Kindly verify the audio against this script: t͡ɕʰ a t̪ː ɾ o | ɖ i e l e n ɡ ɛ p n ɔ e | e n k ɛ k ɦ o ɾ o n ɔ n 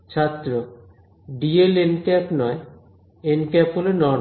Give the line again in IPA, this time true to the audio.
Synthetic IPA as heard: t͡ɕʰ a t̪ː ɾ o | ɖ i e l e n k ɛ p n ɔ e | e n k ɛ p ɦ o l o n ɔ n